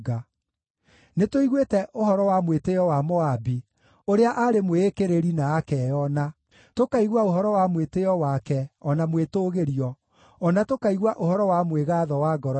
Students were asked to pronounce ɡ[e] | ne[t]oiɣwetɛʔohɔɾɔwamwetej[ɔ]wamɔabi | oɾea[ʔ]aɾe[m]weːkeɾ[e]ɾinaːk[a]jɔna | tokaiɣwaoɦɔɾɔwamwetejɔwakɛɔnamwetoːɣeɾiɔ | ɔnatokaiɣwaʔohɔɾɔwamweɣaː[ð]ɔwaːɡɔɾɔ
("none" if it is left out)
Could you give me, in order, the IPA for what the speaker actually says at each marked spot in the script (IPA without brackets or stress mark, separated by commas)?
a, t, ɔ, ʔ, m, e, ɛ, ð